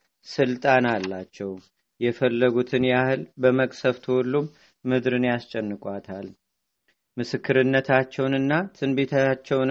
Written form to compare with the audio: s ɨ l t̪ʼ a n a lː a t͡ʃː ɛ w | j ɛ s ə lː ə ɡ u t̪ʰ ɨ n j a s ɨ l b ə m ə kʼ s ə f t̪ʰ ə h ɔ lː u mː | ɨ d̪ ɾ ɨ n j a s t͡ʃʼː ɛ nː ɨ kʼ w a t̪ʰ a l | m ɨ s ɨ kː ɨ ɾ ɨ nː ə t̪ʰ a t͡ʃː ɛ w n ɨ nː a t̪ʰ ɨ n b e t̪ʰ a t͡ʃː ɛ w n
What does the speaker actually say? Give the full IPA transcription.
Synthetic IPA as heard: s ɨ l t̪ʼ a n a lː a t͡ʃː ɛ w | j ɛ f ə lː ə ɡ u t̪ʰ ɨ n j a h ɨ l b ə m ə kʼ s ə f t̪ʰ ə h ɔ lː u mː | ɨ d̪ ɾ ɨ n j a s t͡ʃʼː ɛ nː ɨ kʼ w a t̪ʰ a l | m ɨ s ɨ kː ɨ ɾ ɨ nː ə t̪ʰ a t͡ʃː ɛ w n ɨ nː a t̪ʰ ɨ n b e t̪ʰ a t͡ʃː ɛ w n